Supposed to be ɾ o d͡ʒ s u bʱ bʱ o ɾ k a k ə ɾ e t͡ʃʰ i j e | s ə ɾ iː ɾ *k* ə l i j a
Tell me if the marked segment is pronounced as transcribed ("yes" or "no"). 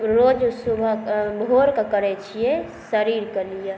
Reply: yes